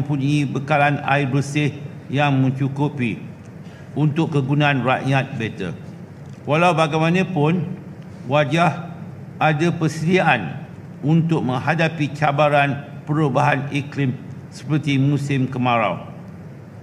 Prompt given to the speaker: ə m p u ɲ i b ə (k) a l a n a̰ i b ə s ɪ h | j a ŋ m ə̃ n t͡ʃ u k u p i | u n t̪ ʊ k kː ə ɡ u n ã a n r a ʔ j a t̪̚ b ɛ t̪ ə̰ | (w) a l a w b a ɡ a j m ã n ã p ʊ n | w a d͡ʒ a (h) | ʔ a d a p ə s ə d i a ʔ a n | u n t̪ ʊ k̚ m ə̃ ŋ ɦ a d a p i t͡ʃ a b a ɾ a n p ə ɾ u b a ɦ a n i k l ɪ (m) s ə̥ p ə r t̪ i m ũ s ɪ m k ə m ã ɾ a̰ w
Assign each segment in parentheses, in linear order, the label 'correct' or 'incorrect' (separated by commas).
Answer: correct, correct, correct, correct